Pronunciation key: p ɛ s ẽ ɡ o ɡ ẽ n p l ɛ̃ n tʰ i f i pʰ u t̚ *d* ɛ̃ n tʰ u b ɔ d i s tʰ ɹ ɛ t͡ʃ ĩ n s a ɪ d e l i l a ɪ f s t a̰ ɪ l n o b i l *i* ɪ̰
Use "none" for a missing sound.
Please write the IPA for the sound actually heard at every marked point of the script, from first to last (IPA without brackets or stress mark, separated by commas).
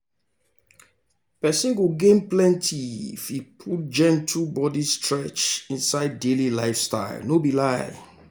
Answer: d͡ʒ, a